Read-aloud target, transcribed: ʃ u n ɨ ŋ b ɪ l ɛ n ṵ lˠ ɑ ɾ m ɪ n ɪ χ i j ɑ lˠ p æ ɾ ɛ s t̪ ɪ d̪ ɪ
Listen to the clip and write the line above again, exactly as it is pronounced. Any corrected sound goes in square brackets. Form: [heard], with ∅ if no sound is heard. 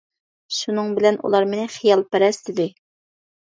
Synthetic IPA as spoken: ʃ u n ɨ ŋ b ɪ l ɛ n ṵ lˠ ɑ ɾ m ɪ n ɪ χ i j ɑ lˠ p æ ɾ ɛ s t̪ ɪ d̪ ɪ